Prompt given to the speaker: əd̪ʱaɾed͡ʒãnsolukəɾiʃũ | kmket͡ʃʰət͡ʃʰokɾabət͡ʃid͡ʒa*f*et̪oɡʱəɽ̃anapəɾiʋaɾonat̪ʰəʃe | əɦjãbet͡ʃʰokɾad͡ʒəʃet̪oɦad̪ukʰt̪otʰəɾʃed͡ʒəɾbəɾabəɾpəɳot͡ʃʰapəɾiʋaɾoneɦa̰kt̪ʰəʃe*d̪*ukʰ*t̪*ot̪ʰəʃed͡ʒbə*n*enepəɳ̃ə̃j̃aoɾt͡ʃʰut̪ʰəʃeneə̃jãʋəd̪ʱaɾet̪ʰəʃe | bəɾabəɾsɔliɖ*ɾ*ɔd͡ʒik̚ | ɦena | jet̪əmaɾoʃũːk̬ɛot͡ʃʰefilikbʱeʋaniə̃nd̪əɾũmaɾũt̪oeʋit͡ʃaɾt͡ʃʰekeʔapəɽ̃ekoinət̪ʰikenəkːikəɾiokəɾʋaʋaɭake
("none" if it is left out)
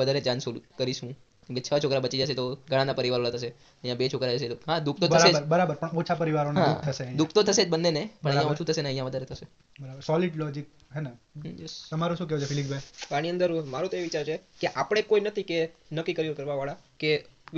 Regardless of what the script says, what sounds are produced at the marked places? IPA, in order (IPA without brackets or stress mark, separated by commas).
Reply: ʃ, d̪, t̪, nː, l